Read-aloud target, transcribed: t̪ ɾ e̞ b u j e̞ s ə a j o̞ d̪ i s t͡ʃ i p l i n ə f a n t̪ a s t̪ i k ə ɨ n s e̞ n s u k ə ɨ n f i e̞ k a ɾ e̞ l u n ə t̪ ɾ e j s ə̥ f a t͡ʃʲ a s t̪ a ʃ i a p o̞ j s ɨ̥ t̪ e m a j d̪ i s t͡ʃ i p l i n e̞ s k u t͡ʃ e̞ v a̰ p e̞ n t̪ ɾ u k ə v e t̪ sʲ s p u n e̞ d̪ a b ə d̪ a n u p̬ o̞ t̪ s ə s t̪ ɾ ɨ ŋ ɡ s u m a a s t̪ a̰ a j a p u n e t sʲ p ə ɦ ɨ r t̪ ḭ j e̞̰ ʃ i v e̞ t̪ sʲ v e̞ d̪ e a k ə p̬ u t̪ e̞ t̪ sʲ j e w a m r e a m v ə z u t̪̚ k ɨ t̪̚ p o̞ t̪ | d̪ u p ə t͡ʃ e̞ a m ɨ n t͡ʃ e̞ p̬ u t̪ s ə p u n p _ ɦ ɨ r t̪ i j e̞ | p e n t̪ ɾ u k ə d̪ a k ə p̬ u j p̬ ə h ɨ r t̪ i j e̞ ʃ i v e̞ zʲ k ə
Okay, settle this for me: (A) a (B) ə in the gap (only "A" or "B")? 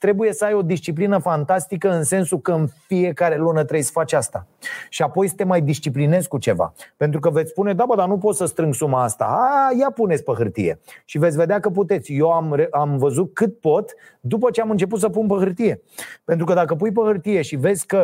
B